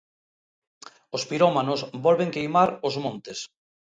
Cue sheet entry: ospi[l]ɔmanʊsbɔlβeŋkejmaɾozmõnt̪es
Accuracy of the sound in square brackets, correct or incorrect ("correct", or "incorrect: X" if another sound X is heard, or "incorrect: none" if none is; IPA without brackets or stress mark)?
incorrect: ɾ